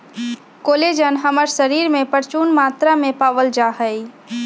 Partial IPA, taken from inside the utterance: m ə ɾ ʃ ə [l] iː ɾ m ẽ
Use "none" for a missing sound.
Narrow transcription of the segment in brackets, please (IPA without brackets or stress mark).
ɾ